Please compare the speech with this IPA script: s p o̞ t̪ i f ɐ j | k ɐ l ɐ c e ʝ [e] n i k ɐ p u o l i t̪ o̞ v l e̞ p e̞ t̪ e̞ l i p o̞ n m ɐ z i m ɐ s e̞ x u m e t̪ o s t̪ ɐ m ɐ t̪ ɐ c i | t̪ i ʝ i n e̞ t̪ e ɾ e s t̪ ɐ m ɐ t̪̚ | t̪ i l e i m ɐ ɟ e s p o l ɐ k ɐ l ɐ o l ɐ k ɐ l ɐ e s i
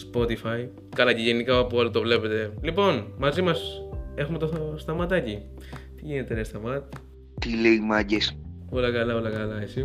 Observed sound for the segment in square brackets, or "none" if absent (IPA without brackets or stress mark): e